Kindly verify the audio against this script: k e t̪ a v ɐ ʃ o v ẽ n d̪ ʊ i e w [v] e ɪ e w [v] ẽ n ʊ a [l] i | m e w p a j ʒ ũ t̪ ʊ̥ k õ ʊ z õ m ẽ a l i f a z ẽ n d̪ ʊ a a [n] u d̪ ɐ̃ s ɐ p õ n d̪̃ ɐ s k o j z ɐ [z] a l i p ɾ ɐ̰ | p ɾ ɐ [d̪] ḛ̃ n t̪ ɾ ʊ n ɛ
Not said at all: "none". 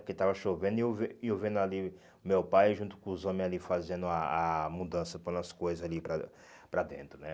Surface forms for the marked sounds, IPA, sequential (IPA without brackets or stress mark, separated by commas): v, v, l, m, z, d̪